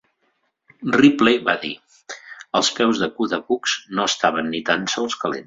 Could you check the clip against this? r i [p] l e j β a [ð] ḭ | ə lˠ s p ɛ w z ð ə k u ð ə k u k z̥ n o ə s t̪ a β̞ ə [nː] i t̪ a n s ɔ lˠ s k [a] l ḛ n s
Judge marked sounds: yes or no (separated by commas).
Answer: yes, yes, yes, no